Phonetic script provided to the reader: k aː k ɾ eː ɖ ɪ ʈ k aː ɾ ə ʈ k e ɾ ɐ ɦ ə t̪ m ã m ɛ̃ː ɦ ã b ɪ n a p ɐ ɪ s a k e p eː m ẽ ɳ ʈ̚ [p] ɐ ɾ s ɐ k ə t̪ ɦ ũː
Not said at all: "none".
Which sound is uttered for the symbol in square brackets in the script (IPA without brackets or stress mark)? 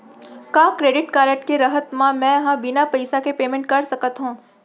k